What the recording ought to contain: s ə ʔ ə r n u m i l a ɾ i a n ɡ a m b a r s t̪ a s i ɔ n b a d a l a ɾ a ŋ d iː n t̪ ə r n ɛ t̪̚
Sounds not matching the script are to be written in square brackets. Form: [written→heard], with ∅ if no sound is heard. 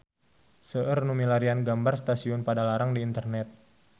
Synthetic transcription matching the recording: s ə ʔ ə r n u m i l a ɾ i a n ɡ a m b a r s t̪ a s i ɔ n [b→p] a d a l a ɾ a ŋ d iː n t̪ ə r n ɛ t̪̚

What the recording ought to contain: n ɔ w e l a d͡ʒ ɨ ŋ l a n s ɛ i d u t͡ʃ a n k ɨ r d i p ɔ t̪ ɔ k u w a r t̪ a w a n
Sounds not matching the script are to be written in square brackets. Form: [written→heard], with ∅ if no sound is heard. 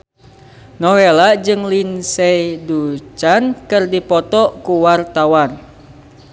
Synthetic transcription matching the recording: n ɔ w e l a d͡ʒ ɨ ŋ l [a→i] n s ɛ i d u t͡ʃ a n k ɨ r d i p ɔ t̪ ɔ k u w a r t̪ a w a n

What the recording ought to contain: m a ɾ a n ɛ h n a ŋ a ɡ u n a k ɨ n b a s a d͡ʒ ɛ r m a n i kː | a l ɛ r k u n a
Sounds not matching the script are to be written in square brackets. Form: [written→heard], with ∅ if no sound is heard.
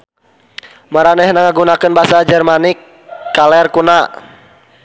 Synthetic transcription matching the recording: m a ɾ a n ɛ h n a ŋ a ɡ u n a k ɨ n b a s a d͡ʒ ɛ r m a n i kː | a l ɛ r k u n a

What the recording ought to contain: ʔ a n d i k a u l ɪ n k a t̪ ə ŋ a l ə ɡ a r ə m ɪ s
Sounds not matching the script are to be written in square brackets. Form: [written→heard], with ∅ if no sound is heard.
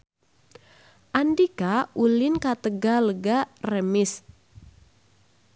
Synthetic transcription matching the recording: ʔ a n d i k a u l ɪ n k a t̪ ə [ŋ→ɡ] a l ə ɡ a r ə m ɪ s

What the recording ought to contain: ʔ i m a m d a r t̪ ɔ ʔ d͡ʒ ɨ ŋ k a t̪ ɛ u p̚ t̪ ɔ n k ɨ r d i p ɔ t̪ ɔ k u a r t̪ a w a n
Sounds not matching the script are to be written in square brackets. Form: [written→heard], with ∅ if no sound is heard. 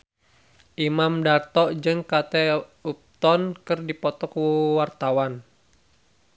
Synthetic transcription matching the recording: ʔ i m a m d a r t̪ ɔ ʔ d͡ʒ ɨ ŋ k a t̪ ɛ u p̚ t̪ ɔ n k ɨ r d i p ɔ t̪ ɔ k [u→w] a r t̪ a w a n

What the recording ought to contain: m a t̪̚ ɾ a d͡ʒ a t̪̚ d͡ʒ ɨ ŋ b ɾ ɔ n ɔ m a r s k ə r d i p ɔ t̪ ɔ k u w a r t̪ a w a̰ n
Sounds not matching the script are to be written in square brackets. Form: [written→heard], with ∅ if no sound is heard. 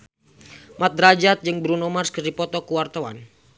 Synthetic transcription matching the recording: m a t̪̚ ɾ a d͡ʒ a t̪̚ d͡ʒ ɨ ŋ b ɾ [ɔ→u] n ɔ m a r s k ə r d i p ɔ t̪ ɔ k u w a r t̪ a w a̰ n

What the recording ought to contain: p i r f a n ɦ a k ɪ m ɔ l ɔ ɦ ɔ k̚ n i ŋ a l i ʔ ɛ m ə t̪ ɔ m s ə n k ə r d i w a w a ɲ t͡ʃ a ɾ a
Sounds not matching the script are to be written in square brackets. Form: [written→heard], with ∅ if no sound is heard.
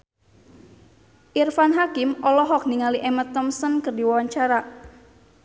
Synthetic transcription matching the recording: [p→ʔ] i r f a n ɦ a k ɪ m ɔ l ɔ ɦ ɔ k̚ n i ŋ a l i ʔ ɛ m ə t̪ ɔ m s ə n k ə r d i w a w a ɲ t͡ʃ a ɾ a

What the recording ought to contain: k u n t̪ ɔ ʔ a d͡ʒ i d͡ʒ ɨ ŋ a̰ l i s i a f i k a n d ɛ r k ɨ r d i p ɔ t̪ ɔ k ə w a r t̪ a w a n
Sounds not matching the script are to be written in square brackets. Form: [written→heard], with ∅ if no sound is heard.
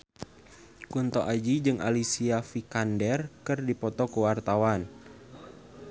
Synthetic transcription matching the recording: k u n t̪ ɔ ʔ a d͡ʒ i d͡ʒ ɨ ŋ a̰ l i s i a f i k a n d ɛ r k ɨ r d i p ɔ t̪ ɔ k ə w a r t̪ a w a n

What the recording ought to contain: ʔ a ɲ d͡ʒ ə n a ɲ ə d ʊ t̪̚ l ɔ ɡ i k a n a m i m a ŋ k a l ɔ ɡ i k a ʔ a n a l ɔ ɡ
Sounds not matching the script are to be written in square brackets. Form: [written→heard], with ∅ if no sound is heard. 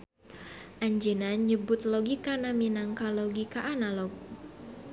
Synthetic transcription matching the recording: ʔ a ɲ d͡ʒ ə n a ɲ ə [d→b] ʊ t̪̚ l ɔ ɡ i k a n a m i [m→n] a ŋ k a l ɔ ɡ i k a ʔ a n a l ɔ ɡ

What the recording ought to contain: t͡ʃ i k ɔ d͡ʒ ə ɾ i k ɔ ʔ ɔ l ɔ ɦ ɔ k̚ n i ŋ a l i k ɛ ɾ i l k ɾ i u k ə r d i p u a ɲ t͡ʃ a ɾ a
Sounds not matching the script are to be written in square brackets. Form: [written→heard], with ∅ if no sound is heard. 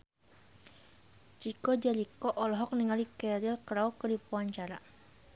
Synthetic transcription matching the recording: t͡ʃ i k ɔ d͡ʒ [ə→a] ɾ i k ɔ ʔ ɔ l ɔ ɦ ɔ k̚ n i ŋ a l i k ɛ ɾ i l k ɾ [i→a] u k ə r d i p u a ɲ t͡ʃ a ɾ a

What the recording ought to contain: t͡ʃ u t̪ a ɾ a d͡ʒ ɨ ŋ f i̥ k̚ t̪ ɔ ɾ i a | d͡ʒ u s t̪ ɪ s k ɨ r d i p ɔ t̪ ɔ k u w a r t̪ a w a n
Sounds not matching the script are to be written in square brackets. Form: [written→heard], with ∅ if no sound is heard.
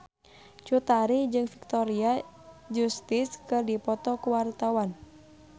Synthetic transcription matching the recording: t͡ʃ u t̪ a ɾ [a→i] d͡ʒ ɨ ŋ f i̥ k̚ t̪ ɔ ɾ i a | d͡ʒ u s t̪ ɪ s k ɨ r d i p ɔ t̪ ɔ k u w a r t̪ a w a n

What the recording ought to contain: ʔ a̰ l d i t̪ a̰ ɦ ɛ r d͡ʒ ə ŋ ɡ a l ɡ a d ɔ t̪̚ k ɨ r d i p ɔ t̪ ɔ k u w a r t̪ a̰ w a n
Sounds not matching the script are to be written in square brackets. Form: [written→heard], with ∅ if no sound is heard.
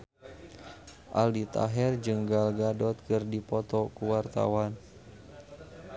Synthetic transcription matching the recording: ʔ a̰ l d i t̪ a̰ ɦ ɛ r d͡ʒ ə ŋ ɡ a l ɡ a d ɔ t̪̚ k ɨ r d i p ɔ t̪ ɔ k u w a r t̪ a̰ w a n

